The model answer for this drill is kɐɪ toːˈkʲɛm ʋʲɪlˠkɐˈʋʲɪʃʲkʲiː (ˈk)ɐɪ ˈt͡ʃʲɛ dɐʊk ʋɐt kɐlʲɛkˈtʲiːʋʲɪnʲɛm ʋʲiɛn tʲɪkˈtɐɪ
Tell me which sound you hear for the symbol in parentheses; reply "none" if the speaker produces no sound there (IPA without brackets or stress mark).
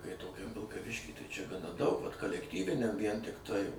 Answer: t